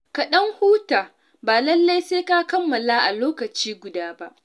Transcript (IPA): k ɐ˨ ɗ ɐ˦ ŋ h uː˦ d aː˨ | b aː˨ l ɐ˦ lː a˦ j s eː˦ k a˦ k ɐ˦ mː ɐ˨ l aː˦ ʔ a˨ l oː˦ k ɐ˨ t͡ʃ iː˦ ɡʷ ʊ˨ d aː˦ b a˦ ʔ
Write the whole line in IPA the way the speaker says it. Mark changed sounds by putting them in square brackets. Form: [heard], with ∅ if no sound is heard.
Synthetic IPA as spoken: k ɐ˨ ɗ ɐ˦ ŋ h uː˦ [t] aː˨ | b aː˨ l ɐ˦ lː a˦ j s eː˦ k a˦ k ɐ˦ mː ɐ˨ l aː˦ ʔ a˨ l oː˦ k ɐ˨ t͡ʃ iː˦ ɡʷ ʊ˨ d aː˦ b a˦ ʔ